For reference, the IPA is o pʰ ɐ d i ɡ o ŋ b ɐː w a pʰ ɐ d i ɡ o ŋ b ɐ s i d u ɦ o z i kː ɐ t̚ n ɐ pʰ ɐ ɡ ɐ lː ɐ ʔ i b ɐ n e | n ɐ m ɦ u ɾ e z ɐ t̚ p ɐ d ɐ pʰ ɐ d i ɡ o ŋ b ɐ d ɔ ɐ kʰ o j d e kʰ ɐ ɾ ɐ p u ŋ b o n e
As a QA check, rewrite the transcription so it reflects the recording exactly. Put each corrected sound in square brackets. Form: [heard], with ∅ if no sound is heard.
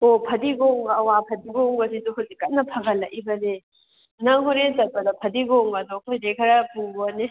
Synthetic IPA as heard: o pʰ ɐ d i ɡ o ŋ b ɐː w a pʰ ɐ d i ɡ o ŋ b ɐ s i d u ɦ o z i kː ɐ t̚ n ɐ pʰ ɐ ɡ ɐ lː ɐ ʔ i b ɐ n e | n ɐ [ŋ] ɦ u ɾ e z ɐ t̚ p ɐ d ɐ pʰ ɐ d i ɡ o ŋ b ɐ d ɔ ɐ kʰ o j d e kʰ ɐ ɾ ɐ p u ŋ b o n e